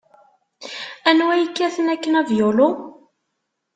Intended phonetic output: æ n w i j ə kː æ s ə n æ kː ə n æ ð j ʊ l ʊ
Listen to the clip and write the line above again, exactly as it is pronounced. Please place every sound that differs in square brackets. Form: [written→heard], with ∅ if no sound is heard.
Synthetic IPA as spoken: æ n w [i→æ] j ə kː æ [s→θ] ə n æ kː ə n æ [ð→v] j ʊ l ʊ